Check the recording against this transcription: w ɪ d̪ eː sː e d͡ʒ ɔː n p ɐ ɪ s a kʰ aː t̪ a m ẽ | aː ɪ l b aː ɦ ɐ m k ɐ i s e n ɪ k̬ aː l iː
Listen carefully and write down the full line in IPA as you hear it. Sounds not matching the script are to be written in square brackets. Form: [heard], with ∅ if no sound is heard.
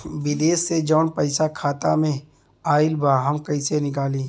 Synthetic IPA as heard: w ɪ d̪ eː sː e d͡ʒ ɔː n p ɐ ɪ s a kʰ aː t̪ a m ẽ | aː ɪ l b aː ɦ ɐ m k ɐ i s e n ɪ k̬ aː l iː